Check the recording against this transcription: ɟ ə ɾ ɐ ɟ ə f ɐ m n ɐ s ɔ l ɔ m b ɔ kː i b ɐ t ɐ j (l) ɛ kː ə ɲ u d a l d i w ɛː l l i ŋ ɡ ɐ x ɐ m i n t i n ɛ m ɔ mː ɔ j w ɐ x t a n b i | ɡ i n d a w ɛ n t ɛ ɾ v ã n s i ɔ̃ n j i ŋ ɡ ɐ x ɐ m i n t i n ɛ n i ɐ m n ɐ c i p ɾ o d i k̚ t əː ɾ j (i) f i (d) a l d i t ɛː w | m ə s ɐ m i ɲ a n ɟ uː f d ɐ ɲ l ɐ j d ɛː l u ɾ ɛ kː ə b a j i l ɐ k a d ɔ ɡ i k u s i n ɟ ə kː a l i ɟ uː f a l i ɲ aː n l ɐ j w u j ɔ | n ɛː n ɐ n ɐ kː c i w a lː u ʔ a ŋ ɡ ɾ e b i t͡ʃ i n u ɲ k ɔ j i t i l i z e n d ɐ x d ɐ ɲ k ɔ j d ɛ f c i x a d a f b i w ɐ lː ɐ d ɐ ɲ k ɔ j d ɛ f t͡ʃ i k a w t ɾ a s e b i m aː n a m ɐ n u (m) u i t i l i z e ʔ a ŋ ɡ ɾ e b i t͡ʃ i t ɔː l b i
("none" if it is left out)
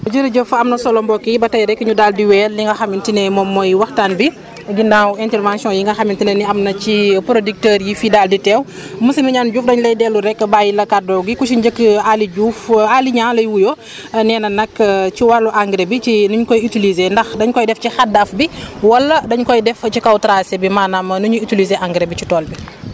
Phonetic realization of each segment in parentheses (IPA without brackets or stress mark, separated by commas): ɾ, i, d, ɲ